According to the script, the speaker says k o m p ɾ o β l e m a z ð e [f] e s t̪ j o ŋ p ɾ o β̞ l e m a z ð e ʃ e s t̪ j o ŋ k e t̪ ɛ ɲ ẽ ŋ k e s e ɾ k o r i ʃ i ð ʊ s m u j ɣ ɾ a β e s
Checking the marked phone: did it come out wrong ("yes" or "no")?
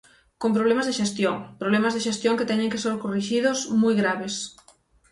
yes